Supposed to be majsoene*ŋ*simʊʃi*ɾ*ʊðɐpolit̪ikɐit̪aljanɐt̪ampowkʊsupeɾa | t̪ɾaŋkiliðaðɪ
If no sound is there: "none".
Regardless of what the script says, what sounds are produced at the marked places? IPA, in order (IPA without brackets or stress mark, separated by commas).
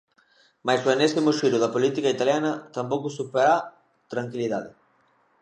none, ɾ